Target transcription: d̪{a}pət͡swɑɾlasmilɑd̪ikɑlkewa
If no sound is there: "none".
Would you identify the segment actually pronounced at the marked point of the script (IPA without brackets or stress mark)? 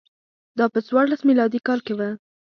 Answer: ɑ